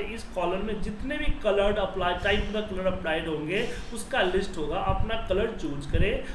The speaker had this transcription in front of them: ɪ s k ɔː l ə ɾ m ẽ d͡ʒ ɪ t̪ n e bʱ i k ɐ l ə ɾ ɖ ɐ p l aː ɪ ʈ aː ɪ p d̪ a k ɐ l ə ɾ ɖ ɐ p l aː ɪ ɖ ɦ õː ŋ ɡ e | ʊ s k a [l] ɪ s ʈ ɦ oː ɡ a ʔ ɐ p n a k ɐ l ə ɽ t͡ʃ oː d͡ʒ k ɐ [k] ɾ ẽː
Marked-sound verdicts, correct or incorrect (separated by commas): correct, incorrect